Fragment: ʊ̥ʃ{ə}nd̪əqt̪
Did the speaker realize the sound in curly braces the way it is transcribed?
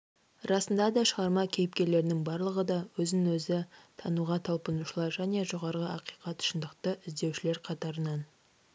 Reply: yes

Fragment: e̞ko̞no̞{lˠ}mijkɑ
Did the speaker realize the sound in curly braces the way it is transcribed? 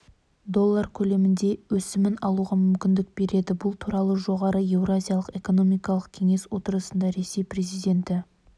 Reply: no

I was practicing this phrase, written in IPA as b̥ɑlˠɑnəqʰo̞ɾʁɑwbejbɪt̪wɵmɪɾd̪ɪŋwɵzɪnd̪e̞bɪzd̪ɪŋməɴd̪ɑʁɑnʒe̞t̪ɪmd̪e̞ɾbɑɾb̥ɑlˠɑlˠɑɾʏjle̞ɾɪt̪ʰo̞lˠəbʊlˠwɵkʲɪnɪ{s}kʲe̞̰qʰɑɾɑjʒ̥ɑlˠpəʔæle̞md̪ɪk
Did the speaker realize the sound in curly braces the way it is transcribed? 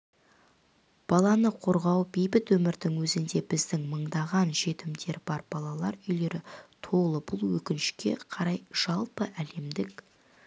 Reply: no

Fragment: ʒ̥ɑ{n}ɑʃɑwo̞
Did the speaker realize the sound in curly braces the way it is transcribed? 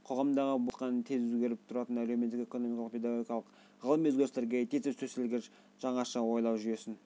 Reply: no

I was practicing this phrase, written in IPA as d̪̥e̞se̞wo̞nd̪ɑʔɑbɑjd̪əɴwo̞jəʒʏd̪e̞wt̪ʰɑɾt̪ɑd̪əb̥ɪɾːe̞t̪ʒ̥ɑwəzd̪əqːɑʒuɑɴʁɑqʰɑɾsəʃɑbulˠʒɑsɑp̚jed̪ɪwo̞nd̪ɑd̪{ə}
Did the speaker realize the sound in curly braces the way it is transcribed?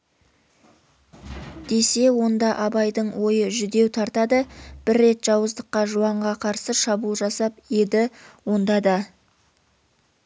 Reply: no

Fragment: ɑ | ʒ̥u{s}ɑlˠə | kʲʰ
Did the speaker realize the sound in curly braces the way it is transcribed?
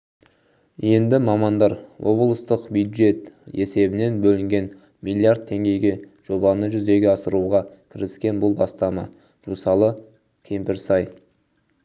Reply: yes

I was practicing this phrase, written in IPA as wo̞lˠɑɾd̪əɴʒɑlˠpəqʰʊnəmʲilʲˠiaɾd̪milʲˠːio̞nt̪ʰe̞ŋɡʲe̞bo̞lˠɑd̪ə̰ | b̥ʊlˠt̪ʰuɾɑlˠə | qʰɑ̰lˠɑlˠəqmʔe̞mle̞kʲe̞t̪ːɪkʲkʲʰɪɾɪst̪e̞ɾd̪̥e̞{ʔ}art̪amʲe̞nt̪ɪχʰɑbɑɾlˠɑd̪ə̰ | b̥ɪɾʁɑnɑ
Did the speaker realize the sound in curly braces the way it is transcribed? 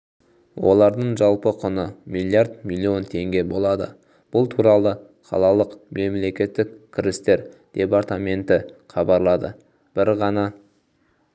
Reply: no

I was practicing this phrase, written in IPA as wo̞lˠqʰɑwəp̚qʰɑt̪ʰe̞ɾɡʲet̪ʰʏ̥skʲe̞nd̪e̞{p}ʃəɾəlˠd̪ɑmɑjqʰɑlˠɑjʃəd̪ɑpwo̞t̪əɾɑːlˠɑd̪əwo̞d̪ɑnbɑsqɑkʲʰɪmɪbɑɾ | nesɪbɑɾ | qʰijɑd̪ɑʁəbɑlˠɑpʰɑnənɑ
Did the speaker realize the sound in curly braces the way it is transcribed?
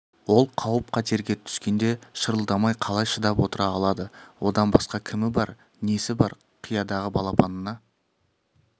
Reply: no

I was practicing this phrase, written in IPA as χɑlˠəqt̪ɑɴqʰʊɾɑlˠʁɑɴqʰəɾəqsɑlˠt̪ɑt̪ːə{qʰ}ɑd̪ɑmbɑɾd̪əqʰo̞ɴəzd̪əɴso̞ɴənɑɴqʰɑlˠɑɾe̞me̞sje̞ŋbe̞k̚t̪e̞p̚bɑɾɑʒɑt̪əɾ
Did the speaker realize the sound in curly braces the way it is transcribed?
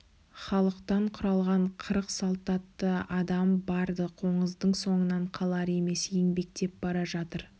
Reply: no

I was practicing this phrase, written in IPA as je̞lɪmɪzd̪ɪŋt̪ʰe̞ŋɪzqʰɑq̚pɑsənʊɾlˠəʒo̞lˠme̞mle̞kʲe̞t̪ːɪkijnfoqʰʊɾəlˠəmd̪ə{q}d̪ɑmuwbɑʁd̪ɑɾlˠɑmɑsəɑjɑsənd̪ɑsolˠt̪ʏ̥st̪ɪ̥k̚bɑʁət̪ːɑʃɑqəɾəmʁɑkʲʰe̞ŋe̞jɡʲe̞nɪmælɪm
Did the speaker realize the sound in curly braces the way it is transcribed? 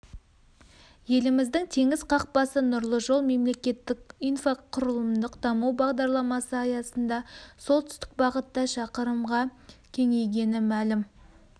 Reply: yes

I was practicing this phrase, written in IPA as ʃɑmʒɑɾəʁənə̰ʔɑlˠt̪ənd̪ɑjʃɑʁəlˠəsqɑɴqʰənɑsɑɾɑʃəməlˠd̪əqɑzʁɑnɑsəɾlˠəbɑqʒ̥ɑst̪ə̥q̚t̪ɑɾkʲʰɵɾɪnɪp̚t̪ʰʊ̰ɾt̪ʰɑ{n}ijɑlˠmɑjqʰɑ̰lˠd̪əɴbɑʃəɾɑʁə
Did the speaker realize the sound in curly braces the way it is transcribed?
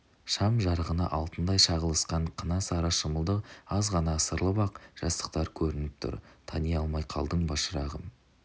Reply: yes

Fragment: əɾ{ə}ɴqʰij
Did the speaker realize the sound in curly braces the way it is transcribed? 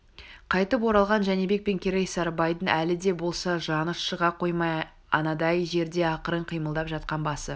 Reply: yes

